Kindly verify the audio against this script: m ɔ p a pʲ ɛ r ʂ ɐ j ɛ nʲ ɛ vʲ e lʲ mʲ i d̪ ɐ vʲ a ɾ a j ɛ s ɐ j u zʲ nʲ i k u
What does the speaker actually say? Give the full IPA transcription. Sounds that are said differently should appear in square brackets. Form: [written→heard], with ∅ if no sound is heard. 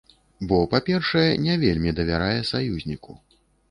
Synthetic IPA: [m→b] ɔ p a pʲ ɛ r ʂ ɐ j ɛ nʲ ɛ vʲ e lʲ mʲ i d̪ ɐ vʲ a ɾ a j ɛ s [ɐ→a] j u zʲ nʲ i k u